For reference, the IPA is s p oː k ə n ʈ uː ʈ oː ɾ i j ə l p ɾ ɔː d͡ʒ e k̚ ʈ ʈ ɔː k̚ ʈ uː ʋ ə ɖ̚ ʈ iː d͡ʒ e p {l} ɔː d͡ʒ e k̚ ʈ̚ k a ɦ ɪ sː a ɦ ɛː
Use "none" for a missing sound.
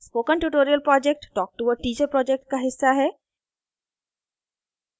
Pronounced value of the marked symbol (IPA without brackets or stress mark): ɾ